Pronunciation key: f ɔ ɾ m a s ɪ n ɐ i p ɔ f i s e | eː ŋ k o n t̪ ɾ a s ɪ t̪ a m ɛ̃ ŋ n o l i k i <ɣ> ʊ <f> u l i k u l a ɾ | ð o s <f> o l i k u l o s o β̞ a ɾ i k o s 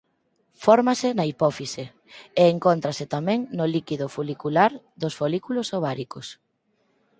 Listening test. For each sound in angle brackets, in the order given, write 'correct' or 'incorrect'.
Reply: incorrect: ð, correct, correct

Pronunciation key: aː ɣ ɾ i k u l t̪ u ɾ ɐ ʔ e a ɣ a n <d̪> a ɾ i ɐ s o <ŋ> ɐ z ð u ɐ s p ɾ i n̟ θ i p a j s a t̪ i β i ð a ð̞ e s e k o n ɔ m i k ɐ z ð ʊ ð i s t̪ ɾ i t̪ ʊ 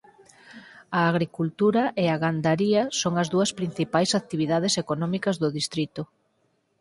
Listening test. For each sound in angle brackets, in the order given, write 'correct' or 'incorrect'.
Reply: correct, correct

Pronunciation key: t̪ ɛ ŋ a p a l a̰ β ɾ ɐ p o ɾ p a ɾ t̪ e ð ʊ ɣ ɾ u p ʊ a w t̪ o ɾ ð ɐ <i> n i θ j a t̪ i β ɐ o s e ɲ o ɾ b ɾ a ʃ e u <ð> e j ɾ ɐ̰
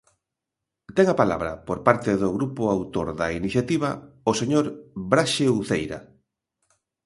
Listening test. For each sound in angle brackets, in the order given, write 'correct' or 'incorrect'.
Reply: correct, incorrect: θ

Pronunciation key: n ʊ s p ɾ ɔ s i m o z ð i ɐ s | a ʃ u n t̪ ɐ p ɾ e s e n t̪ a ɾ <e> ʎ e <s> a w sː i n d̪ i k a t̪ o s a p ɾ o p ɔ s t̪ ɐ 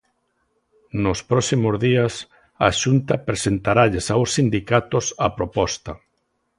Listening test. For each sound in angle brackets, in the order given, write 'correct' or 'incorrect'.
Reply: incorrect: a, correct

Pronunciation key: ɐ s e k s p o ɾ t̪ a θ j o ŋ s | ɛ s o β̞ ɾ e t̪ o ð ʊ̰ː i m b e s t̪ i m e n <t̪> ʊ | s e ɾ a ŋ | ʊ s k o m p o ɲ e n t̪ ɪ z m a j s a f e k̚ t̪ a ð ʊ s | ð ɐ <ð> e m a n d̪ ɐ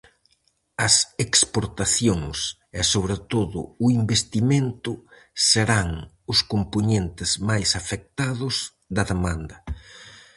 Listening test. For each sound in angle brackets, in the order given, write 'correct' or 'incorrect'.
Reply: correct, correct

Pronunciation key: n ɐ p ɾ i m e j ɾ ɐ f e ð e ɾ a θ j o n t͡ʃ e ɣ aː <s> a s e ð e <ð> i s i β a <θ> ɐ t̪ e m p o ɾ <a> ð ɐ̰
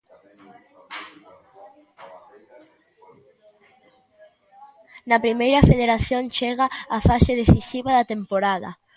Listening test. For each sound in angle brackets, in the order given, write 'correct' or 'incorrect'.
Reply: incorrect: f, incorrect: θ, incorrect: ð, correct

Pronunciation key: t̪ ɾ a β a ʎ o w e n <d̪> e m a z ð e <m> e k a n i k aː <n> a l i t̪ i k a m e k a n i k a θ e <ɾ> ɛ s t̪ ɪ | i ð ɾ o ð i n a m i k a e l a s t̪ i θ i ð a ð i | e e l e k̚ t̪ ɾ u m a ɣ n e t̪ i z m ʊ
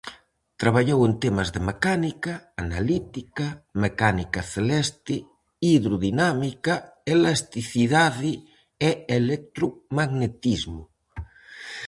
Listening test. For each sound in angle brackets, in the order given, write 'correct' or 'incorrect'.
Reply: incorrect: t̪, correct, correct, incorrect: l

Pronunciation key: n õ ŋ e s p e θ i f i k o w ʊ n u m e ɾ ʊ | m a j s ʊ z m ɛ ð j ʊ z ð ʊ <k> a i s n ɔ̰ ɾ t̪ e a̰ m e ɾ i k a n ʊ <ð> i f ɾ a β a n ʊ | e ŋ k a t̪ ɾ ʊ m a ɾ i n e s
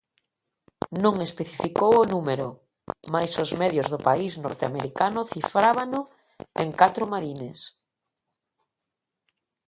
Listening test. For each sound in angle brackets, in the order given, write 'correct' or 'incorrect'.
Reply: incorrect: p, incorrect: θ

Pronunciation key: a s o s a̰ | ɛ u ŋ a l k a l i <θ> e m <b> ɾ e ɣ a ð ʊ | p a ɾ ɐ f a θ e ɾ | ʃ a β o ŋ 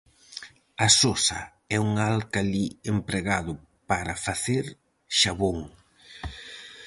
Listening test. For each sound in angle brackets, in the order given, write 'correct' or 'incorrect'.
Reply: incorrect: none, incorrect: p

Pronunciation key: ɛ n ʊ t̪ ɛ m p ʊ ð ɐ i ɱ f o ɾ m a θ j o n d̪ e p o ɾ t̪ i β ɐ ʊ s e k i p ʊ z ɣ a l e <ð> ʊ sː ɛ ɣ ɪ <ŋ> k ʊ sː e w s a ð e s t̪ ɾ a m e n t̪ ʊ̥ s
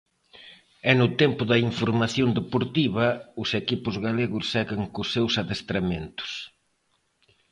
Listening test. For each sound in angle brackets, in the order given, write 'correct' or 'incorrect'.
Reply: incorrect: ɣ, correct

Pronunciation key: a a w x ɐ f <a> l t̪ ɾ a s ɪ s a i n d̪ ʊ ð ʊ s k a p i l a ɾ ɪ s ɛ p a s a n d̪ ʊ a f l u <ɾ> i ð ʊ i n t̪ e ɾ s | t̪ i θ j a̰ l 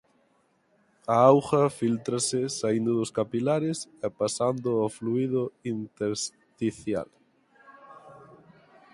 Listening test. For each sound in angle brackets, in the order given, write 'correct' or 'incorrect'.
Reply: incorrect: i, incorrect: none

